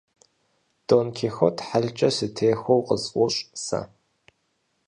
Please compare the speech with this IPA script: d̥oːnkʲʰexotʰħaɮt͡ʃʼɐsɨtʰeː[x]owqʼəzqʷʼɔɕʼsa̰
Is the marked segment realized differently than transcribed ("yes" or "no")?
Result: no